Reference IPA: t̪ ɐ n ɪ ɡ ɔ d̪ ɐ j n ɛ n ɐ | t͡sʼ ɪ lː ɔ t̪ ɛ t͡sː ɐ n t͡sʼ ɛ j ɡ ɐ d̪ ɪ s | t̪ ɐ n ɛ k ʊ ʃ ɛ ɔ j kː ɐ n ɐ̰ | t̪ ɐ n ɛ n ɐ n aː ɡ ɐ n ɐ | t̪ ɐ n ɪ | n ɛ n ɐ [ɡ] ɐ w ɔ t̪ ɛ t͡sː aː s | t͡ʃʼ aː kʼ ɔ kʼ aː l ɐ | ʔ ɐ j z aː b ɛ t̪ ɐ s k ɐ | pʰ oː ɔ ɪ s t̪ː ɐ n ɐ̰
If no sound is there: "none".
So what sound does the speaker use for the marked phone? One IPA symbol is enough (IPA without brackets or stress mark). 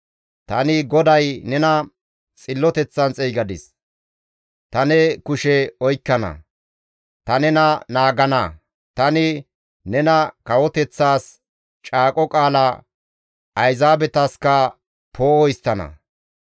k